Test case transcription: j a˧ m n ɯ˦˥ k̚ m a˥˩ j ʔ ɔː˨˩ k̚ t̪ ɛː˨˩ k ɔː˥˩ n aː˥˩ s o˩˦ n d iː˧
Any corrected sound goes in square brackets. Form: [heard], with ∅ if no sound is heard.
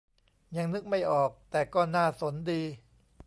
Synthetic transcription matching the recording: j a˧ [ŋ] n ɯ˦˥ k̚ m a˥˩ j ʔ ɔː˨˩ k̚ t̪ ɛː˨˩ k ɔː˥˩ n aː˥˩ s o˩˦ n d iː˧